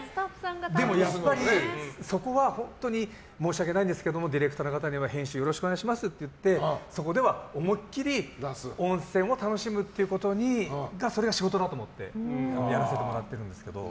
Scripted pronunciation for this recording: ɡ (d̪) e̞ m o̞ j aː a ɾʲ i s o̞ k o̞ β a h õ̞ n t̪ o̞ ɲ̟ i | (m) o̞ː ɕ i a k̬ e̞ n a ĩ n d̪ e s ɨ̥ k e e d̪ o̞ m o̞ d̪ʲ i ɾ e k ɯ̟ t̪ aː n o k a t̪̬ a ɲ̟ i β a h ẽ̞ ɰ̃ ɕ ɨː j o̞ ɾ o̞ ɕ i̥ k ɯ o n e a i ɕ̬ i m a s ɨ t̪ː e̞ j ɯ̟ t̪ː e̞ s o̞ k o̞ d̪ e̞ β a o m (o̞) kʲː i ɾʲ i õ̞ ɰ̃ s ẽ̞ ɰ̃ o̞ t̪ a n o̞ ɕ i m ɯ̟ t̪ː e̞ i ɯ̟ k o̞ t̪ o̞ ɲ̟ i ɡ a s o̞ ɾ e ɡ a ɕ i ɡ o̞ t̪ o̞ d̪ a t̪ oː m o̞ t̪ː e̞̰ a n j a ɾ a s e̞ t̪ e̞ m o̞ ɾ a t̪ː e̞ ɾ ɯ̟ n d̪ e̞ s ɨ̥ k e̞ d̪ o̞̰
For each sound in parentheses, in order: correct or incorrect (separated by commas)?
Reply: correct, correct, correct